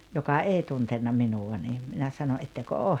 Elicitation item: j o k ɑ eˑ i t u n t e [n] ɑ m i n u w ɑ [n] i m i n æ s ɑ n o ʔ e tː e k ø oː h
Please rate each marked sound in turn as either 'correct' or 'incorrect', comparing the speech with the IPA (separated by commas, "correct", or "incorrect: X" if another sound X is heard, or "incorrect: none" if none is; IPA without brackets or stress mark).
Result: incorrect: nː, correct